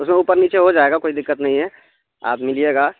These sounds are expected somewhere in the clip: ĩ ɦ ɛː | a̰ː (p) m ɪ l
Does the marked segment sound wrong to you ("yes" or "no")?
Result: no